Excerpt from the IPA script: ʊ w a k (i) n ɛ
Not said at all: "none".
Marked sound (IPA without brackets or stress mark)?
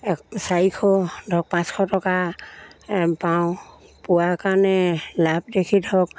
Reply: a